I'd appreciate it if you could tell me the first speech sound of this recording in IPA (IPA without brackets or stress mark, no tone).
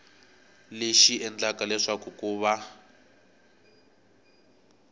l